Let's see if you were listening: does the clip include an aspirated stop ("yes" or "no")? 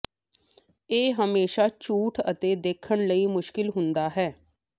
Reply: yes